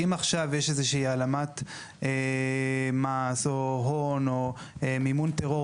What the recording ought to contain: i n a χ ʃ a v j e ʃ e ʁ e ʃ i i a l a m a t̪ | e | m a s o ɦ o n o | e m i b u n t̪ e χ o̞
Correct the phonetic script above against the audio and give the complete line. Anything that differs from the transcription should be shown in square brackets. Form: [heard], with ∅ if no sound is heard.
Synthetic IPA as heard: i [m] a χ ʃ a v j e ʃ e [z] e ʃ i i a l a m a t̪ | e | m a s o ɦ o n o | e m i [m] u n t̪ e [ʁ] o̞